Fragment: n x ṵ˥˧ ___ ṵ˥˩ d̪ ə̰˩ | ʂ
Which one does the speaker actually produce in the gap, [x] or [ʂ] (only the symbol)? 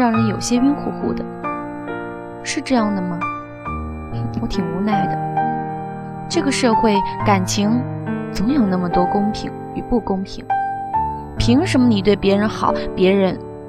x